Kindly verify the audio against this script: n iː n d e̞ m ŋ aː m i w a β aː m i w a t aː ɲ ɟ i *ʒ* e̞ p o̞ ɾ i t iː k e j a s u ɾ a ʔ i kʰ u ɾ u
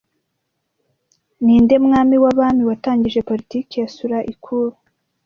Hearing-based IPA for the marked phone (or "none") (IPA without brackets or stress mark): ʒ